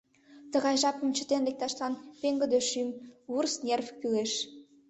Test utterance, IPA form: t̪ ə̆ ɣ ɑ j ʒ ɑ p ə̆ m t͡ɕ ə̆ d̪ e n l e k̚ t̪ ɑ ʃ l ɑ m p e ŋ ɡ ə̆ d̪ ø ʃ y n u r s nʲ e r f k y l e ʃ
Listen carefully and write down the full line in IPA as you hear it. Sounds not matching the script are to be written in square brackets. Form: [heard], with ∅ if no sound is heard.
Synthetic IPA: t̪ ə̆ ɣ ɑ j ʒ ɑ p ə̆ m t͡ɕ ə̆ [t̪] e n l e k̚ t̪ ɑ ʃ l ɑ [n] p e ŋ ɡ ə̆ d̪ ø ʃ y [m] u r s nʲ e r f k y l e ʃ